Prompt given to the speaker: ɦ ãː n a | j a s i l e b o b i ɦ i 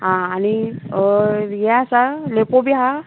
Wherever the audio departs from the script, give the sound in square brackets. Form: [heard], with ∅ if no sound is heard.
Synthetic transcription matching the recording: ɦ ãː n [i] | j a s [a] l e [p] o b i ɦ [a]